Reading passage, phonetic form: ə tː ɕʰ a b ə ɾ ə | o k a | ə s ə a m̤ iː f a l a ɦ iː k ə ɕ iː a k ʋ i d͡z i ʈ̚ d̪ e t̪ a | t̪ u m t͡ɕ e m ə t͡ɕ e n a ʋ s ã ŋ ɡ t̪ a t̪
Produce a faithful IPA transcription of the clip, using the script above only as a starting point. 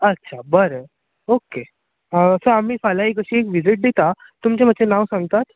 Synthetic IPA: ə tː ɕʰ a b ə ɾ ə | o k e | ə s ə a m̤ iː f a l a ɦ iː k ə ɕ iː e k ʋ i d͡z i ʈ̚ d̪ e t̪ a | t̪ u m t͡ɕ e m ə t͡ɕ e n a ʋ s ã ŋ ɡ t̪ a t̪